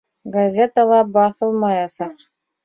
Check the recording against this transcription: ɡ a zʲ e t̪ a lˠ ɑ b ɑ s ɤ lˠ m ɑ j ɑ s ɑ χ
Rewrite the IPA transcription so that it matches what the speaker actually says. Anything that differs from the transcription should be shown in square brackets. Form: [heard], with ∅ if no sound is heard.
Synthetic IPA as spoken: ɡ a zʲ e t̪ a lˠ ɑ b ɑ [θ] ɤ lˠ m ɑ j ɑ s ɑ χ